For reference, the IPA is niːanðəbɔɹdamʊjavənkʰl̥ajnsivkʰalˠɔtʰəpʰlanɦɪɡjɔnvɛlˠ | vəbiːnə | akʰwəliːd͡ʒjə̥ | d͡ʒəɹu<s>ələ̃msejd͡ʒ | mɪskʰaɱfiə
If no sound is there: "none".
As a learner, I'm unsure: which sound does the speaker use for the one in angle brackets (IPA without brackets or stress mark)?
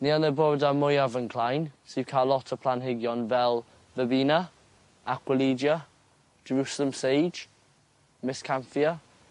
s